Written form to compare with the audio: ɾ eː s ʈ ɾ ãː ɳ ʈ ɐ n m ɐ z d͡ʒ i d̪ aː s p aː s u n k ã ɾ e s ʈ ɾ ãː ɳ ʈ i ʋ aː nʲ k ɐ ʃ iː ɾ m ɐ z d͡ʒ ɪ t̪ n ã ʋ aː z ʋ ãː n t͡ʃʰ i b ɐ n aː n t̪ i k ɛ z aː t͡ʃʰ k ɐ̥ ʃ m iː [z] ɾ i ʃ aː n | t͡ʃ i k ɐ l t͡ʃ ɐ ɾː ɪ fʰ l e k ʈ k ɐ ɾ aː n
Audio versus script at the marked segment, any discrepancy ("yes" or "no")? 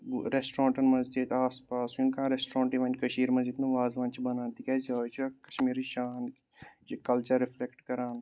yes